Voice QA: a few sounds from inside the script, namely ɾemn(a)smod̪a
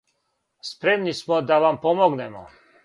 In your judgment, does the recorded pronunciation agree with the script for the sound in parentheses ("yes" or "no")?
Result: no